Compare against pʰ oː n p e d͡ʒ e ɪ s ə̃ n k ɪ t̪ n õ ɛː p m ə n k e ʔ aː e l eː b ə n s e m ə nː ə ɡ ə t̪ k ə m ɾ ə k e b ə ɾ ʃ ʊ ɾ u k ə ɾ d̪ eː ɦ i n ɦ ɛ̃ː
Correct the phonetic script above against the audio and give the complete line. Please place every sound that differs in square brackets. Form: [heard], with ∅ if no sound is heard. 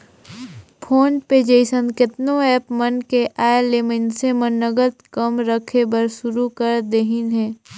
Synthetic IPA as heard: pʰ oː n p e d͡ʒ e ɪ s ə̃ n k ɪ t̪ n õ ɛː p m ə n k e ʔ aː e l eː [m] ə n s e m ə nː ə ɡ ə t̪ k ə m ɾ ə [kʰ] e b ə ɾ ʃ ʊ ɾ u k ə ɾ d̪ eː ɦ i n ɦ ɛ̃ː